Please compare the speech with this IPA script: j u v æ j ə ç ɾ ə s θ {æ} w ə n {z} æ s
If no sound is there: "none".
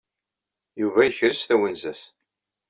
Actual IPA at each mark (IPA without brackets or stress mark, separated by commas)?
æ, z